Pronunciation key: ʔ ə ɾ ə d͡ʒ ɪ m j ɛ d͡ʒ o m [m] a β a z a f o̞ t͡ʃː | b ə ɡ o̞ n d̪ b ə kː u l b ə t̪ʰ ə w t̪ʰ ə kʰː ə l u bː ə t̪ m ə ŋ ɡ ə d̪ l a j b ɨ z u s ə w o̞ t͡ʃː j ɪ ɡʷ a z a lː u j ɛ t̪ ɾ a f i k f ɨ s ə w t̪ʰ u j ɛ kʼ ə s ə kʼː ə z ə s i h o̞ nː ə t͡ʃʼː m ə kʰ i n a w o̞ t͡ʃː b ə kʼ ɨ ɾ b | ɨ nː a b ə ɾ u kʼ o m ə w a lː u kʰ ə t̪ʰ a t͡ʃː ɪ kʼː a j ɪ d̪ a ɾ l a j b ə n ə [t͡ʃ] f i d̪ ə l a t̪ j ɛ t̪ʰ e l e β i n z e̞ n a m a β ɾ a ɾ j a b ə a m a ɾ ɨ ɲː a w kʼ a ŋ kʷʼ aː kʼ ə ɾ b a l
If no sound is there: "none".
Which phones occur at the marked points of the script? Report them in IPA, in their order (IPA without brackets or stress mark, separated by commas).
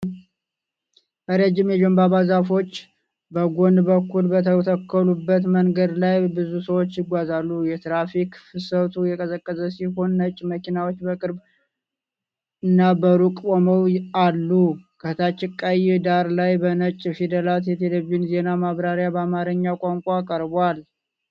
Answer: b, t͡ʃʼ